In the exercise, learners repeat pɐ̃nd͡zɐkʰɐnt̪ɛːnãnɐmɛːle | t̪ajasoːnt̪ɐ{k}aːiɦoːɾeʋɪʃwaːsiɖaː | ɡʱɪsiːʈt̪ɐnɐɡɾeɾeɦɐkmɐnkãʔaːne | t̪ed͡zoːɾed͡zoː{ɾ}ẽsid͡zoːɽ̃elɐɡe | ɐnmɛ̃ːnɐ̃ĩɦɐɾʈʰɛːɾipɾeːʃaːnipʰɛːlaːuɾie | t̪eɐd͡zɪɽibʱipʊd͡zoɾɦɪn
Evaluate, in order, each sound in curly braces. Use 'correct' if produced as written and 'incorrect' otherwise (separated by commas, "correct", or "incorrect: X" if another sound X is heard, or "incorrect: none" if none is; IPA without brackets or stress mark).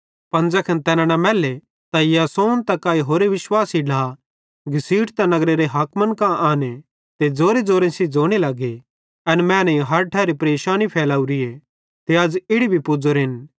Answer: correct, correct